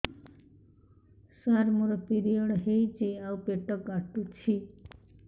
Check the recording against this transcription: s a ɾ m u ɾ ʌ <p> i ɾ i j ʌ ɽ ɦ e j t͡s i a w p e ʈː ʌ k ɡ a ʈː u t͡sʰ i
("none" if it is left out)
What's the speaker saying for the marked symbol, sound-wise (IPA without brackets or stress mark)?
p